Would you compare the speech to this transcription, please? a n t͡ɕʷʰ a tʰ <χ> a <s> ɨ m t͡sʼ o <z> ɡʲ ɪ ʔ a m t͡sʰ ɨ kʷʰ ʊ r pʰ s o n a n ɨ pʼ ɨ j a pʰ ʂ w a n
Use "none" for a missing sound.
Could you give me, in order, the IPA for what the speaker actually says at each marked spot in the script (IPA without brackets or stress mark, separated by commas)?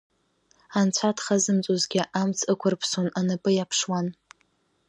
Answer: χ, z, z